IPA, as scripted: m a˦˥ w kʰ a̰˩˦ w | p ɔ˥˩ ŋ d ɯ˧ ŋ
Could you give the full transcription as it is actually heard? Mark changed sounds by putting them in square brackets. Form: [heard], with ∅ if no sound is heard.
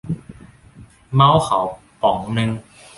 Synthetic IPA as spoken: m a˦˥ w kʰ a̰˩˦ w | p [ɔ˨˩˦] ŋ [n] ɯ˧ ŋ